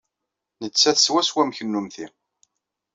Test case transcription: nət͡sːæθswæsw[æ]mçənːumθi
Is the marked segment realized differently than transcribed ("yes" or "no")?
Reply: no